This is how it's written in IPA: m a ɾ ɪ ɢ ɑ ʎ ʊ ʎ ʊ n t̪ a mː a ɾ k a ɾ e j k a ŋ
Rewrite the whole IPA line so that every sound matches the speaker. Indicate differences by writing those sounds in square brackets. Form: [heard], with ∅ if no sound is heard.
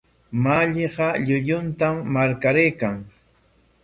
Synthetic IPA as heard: m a [ʎ] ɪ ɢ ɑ ʎ ʊ ʎ ʊ n t̪ a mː a ɾ k a ɾ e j k a ŋ

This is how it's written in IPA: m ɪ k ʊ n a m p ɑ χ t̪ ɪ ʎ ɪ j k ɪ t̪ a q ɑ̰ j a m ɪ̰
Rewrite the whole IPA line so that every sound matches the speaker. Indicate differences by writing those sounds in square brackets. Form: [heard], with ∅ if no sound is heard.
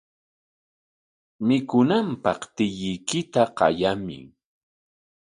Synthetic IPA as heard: m ɪ k ʊ n a m p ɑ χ t̪ ɪ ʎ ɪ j k ɪ t̪ a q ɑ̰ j a m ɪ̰

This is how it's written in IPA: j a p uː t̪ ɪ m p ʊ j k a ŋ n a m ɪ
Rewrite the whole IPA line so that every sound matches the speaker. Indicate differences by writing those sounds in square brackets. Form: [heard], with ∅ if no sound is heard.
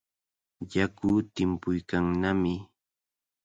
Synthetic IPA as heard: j a [k] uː t̪ ɪ m p ʊ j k a ŋ n a m ɪ

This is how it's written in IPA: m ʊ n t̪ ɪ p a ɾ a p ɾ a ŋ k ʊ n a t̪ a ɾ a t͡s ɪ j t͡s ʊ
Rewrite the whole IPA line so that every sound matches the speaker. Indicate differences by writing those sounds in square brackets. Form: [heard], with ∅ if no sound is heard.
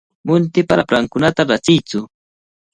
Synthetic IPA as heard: m ʊ n t̪ ɪ p a ɾ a p ɾ a ŋ k ʊ n a t̪ a ɾ a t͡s ɪ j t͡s ʊ

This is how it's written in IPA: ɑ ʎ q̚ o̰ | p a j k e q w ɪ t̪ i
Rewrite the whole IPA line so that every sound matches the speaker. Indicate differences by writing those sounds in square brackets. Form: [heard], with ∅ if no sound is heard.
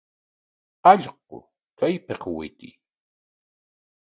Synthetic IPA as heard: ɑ ʎ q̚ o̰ | [k] a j [p] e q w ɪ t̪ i

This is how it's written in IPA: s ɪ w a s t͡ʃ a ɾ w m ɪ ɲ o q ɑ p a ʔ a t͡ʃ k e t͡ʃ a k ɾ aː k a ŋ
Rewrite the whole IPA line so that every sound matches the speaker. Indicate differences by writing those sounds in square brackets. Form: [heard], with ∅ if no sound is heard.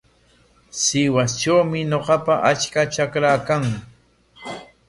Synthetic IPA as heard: s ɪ w a s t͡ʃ a [∅] w m ɪ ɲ o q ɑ p a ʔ a t͡ʃ k [a] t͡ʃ a k ɾ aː k a ŋ

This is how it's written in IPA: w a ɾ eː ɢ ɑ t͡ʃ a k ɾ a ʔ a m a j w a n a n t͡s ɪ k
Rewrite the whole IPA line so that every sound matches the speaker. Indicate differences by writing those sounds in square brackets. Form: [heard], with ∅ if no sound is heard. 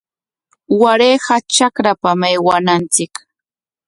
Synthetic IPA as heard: w a ɾ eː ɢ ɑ t͡ʃ a k ɾ a [p] a m a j w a n a n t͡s ɪ k

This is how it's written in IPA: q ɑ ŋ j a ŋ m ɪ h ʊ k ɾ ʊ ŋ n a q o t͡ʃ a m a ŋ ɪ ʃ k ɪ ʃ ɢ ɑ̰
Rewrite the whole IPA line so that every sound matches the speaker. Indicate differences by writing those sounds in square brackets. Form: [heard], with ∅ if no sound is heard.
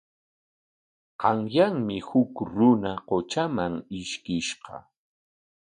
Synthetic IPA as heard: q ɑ ŋ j a ŋ m ɪ h ʊ k ɾ ʊ [∅] n a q o t͡ʃ a m a ŋ ɪ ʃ k ɪ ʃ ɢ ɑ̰

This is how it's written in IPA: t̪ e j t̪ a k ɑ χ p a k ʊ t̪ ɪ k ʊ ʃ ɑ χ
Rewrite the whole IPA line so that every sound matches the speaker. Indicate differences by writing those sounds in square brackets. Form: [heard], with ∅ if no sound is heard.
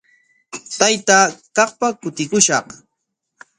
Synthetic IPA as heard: t̪ [a] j t̪ a k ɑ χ p a k ʊ t̪ ɪ k ʊ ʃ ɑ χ

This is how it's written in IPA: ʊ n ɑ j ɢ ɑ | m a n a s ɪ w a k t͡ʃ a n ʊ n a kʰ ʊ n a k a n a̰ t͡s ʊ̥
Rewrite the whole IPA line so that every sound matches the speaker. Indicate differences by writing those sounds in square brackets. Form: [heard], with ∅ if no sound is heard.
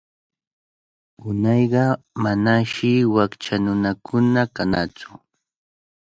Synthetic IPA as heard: ʊ n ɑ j ɢ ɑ | m a n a [ʃ] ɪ w a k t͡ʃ a n ʊ n a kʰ ʊ n a k a n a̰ t͡s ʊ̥

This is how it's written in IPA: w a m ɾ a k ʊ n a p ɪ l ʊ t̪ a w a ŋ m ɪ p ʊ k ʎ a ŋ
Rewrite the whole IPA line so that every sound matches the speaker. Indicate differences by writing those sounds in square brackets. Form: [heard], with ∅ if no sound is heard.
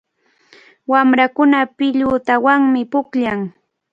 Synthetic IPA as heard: w a m ɾ a k ʊ n a p ɪ [ʎ] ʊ t̪ a w a ŋ m ɪ p ʊ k ʎ a ŋ

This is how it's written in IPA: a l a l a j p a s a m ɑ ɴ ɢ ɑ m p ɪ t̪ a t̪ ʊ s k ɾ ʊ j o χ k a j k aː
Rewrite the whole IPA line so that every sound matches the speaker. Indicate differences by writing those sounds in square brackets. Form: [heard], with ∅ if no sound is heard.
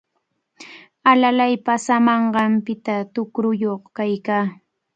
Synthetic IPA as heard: a l a l a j p a s a m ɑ ɴ ɢ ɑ m p ɪ t̪ a t̪ ʊ [∅] k ɾ ʊ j o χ k a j k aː

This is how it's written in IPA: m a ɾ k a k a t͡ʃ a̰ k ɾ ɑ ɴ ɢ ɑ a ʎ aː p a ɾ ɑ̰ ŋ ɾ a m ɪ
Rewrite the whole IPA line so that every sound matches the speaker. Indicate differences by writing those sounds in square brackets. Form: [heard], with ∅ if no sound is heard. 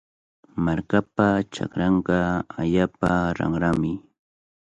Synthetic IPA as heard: m a ɾ k a [p] a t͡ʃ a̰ k ɾ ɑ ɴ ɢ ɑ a ʎ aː p a ɾ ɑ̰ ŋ ɾ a m ɪ

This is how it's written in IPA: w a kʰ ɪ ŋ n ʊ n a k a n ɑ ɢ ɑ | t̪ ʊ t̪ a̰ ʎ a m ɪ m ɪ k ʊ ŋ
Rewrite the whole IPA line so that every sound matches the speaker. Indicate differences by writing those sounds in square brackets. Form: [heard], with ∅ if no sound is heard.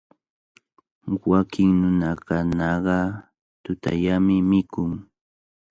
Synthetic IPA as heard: w a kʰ ɪ ŋ n ʊ n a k a n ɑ ɢ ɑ | t̪ ʊ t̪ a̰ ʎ a m ɪ m ɪ k ʊ ŋ

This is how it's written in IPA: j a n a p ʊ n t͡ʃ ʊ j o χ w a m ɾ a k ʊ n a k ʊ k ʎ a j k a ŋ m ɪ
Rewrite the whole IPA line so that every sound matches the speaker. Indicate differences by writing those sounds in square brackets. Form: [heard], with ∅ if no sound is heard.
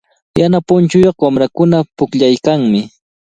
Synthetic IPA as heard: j a n a p ʊ n t͡ʃ ʊ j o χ w a m ɾ a k ʊ n a [p] ʊ k ʎ a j k a ŋ m ɪ

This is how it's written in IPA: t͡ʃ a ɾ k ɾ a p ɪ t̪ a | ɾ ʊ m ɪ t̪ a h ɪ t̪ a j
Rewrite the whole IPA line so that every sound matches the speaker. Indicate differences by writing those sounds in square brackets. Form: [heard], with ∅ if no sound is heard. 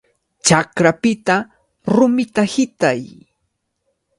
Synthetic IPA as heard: t͡ʃ a [∅] k ɾ a p ɪ t̪ a | ɾ ʊ m ɪ t̪ a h ɪ t̪ a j

